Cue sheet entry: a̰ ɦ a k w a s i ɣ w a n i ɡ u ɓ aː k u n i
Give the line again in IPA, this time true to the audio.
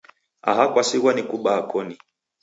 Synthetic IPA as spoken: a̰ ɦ a k w a s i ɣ w a n i k u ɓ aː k ɔ n i